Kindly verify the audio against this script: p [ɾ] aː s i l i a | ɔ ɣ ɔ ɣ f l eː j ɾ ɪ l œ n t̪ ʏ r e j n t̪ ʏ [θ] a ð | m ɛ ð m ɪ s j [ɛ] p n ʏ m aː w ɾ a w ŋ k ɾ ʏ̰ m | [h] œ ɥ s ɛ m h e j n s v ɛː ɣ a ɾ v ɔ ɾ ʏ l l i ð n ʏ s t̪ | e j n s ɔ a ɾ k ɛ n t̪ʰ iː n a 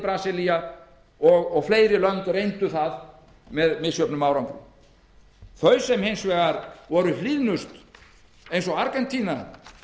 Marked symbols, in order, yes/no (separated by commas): yes, yes, no, no